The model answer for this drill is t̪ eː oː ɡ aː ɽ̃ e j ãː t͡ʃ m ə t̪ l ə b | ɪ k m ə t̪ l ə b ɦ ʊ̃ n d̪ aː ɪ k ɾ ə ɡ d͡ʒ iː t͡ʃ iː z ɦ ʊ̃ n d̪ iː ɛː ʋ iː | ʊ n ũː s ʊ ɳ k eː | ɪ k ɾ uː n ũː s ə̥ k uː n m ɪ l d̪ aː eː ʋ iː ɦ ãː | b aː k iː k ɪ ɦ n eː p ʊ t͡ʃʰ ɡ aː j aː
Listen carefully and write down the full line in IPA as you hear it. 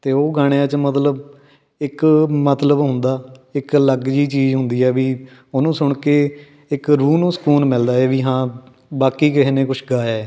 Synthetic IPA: t̪ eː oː ɡ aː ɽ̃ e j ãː t͡ʃ m ə t̪ l ə b | ɪ k m ə t̪ l ə b ɦ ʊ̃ n d̪ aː ɪ k l ə ɡ d͡ʒ iː t͡ʃ iː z ɦ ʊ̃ n d̪ iː ɛː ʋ iː | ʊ n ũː s ʊ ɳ k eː | ɪ k ɾ uː n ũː s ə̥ k uː n m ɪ l d̪ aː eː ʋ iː ɦ ãː | b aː k iː k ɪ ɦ n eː k ʊ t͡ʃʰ ɡ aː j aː